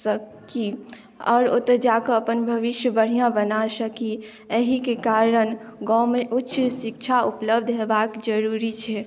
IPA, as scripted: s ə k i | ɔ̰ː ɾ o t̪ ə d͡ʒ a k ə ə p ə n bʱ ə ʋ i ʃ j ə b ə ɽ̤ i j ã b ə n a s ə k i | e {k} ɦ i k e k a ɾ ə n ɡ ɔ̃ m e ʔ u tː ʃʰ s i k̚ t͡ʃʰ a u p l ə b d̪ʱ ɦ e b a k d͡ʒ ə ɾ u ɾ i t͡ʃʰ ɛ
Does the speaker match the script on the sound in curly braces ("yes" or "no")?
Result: no